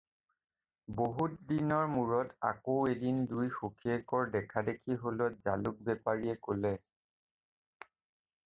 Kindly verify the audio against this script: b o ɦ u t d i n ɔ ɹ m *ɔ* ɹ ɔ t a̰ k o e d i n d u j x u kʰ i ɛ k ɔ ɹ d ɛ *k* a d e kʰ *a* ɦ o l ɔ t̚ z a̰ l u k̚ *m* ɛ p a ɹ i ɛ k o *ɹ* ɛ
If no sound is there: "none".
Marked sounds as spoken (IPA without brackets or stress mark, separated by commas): u, kʰ, i, b, l